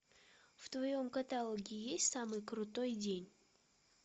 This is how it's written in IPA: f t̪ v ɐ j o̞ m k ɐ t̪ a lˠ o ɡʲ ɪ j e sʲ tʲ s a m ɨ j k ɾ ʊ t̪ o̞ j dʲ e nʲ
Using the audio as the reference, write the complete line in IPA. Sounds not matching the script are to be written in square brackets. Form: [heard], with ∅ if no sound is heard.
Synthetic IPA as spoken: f t̪ v ɐ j o̞ m k ɐ t̪ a lˠ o ɡʲ ɪ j e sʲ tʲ s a m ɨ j k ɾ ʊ t̪ o̞ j dʲ e nʲ